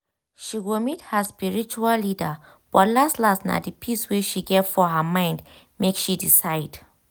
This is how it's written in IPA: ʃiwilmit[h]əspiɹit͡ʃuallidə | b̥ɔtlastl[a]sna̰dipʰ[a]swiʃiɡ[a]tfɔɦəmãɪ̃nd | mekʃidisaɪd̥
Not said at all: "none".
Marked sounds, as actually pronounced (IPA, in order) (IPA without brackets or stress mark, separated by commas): h, a, i, ɛ